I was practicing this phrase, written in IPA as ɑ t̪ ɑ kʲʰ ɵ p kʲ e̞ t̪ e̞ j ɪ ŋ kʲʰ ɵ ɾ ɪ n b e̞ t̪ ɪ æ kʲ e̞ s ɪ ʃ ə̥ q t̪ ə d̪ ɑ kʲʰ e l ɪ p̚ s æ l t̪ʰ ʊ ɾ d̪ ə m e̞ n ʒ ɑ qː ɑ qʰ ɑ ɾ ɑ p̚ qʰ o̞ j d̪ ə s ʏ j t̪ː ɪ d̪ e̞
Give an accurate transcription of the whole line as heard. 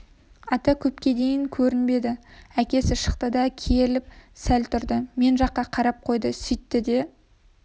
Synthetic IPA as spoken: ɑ t̪ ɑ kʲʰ ɵ p kʲ e̞ d̪ e̞ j ɪ ŋ kʲʰ ɵ ɾ ɪ n b e̞ d̪ ɪ æ kʲ e̞ s ɪ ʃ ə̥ q t̪ ə d̪ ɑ kʲʰ e l ɪ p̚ s æ l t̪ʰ ʊ ɾ d̪ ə m e̞ n ʒ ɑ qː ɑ qʰ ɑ ɾ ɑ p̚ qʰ o̞ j d̪ ə s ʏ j t̪ː ɪ d̪ e̞